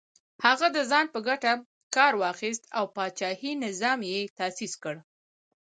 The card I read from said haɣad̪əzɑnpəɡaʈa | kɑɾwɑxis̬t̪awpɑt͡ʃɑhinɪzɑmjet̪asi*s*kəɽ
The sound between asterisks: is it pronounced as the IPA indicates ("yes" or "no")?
yes